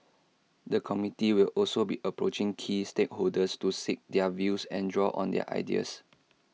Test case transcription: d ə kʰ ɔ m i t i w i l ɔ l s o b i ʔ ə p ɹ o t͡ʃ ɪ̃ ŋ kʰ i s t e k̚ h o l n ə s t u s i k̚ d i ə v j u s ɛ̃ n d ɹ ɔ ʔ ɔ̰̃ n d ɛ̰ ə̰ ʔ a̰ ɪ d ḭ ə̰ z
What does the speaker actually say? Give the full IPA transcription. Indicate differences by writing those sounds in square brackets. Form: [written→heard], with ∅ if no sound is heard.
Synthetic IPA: d ə kʰ ɔ m i t i w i l ɔ l s o b i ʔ ə p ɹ o t͡ʃ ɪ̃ ŋ kʰ i s t e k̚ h o l [n→d] ə s t u s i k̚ d [i→ɛ] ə v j u s ɛ̃ n d ɹ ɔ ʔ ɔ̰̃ n d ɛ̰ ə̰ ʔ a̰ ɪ d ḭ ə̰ [z→s]